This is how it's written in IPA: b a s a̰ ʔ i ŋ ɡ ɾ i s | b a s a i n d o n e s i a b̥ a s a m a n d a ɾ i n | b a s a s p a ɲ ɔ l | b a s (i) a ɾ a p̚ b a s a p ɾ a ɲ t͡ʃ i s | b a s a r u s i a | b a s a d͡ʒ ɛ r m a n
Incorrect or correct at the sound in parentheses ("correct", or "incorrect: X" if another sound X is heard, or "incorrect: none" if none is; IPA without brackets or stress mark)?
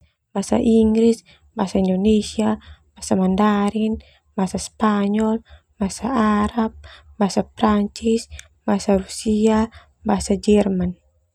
incorrect: a